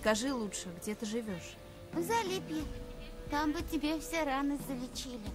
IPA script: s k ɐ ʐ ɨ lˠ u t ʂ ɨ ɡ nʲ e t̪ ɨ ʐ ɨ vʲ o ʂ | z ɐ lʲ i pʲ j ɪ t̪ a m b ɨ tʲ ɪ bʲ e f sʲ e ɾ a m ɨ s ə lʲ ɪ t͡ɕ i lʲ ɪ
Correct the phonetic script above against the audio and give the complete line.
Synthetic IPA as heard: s k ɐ ʐ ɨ lˠ u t ʂ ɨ ɡ dʲ e t̪ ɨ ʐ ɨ vʲ o ʂ | z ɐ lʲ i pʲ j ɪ t̪ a m b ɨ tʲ ɪ bʲ e f sʲ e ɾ a n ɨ z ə lʲ ɪ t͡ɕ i lʲ ɪ